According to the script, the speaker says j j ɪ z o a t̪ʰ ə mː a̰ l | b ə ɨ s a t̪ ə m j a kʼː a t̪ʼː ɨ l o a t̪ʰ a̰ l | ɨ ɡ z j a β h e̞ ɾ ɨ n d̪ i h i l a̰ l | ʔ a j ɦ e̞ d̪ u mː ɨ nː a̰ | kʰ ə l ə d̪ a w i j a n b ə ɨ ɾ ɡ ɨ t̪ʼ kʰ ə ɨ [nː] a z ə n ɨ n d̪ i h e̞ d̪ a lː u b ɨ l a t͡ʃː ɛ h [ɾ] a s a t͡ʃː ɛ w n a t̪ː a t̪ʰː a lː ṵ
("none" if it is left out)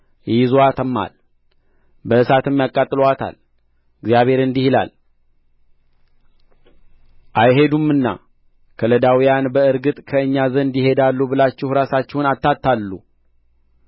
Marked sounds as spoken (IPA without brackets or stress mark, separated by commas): ɲː, ɾ